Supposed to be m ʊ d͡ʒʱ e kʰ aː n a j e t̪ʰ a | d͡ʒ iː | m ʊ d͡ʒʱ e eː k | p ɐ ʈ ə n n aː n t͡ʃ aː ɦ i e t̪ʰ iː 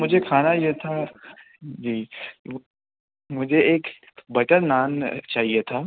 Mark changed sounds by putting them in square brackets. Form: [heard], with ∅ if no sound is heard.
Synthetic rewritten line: m ʊ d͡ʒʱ e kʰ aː n a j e t̪ʰ a | d͡ʒ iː | m ʊ d͡ʒʱ e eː k | [b] ɐ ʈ ə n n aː n t͡ʃ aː ɦ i e t̪ʰ [aː]